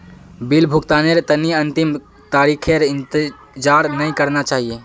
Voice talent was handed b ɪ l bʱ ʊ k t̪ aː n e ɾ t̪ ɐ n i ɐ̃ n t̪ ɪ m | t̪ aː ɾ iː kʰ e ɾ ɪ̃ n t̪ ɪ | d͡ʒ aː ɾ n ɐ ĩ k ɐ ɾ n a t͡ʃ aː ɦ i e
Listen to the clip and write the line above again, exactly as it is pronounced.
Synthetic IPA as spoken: b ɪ l bʱ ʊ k t̪ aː n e ɾ t̪ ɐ n i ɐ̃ n t̪ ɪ m | t̪ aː ɾ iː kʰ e ɾ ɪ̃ n t̪ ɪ | d͡ʒ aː ɾ n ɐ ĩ k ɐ ɾ n a t͡ʃ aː ɦ i e